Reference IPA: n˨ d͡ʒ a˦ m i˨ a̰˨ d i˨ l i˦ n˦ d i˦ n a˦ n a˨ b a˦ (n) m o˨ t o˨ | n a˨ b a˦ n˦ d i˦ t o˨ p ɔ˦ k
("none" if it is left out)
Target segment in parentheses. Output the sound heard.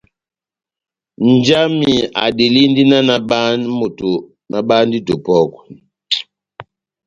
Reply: n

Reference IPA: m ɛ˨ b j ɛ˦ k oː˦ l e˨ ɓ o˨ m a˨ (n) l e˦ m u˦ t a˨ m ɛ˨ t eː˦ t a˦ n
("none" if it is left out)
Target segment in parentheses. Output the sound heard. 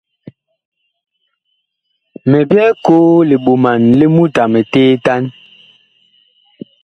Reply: n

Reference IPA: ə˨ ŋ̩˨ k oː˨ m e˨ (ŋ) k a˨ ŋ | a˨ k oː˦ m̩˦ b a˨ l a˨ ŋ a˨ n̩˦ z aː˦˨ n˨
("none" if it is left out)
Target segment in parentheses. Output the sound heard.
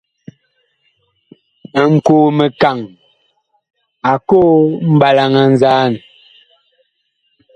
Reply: none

